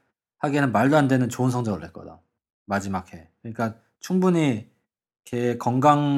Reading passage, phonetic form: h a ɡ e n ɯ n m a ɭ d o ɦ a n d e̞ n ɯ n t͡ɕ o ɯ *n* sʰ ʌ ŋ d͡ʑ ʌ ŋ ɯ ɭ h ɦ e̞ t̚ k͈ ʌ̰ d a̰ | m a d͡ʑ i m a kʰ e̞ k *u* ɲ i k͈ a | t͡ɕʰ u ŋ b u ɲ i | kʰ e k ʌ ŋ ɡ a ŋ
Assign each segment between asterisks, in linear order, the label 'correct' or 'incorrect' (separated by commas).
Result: correct, incorrect